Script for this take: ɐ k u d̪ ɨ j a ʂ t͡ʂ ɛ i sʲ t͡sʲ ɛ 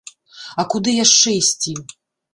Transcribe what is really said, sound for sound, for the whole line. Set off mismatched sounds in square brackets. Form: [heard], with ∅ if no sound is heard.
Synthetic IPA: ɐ k u d̪ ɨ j a ʂ t͡ʂ ɛ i sʲ t͡sʲ [i]